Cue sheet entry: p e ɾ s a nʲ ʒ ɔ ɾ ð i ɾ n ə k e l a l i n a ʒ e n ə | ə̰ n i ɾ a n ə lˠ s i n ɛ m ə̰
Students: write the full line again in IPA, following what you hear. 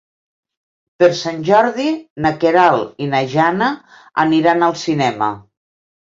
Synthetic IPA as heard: p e ɾ s a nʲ ʒ ɔ ɾ ð i n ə k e ɾ a l i n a ʒ a n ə | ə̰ n i ɾ a n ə lˠ s i n ɛ m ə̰